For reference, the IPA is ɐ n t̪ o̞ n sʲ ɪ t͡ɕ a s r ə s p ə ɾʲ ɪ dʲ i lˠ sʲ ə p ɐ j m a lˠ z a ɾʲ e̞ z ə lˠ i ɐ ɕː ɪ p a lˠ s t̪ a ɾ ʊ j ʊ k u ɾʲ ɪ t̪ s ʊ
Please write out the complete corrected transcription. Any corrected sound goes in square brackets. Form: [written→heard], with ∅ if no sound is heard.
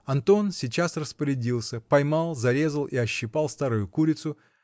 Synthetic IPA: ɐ n t̪ o̞ n sʲ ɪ t͡ɕ a s r ə s p ə ɾʲ ɪ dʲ i lˠ sʲ ə p ɐ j m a lˠ z [a→ɐ] ɾʲ e̞ z ə lˠ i ɐ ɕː ɪ p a lˠ s t̪ a ɾ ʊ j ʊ k u ɾʲ ɪ t̪ s ʊ